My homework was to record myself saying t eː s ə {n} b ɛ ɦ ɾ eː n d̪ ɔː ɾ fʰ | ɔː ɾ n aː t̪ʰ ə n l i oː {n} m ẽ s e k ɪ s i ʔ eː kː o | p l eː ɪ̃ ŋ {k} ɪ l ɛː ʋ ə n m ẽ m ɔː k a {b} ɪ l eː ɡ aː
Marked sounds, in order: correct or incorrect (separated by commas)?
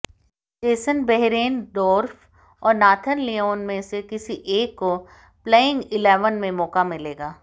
correct, correct, incorrect, incorrect